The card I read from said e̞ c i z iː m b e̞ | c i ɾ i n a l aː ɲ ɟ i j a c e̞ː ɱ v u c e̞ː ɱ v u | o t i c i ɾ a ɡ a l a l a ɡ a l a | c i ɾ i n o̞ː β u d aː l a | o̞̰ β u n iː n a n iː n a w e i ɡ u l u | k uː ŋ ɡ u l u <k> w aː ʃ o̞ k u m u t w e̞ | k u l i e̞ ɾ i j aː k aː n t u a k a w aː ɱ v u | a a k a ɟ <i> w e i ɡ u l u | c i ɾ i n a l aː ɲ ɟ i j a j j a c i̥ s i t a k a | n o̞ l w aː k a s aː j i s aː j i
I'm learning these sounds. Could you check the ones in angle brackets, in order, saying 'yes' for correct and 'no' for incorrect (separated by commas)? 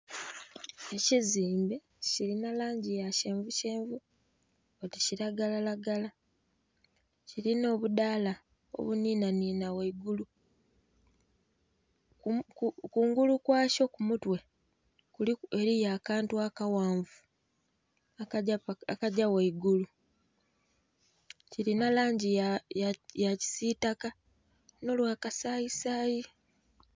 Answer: yes, no